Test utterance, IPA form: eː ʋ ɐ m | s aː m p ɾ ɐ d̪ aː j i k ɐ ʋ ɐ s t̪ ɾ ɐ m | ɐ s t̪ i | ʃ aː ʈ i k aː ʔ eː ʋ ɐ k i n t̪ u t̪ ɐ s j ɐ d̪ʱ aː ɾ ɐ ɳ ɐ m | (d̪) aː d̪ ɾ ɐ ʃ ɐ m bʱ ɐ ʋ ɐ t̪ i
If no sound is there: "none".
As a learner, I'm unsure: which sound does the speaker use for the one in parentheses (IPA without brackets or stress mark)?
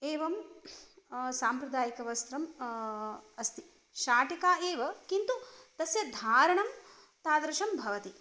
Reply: t̪